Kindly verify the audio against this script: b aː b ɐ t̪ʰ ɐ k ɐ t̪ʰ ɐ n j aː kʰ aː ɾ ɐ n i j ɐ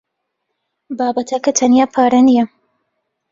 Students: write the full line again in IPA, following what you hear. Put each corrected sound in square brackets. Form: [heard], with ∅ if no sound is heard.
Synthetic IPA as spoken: b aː b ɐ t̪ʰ ɐ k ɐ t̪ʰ ɐ n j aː [pʰ] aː ɾ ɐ n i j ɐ